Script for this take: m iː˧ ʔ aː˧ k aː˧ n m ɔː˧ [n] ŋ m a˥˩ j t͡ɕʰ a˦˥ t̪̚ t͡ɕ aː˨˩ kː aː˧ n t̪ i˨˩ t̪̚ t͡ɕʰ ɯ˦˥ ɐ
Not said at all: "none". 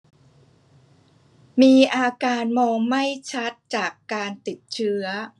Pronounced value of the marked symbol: none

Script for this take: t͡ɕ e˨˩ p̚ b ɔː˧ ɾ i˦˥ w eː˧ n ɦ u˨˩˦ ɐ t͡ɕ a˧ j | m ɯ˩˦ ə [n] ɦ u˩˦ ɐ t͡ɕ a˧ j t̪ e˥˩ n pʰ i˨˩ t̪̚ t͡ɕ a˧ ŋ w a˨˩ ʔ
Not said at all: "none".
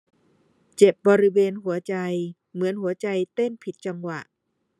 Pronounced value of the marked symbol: n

